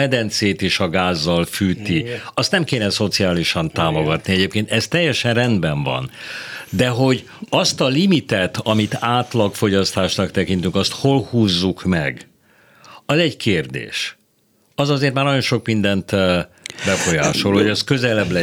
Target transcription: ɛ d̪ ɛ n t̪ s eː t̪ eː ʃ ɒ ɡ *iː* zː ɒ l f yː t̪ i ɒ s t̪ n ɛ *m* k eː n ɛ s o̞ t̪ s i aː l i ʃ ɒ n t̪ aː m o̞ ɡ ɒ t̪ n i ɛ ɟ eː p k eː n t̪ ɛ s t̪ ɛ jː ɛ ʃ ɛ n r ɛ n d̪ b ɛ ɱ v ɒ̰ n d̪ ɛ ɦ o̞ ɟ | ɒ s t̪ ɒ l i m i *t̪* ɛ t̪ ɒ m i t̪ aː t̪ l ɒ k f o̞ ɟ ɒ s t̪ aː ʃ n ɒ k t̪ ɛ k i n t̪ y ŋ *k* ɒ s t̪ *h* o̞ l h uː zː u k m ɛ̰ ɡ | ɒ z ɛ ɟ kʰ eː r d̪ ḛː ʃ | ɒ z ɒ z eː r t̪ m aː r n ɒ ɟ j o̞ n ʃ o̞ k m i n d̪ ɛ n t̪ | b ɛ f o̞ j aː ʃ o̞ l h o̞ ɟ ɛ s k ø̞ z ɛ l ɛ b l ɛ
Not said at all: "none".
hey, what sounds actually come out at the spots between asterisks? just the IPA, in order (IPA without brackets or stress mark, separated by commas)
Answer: aː, m, t̪, k, h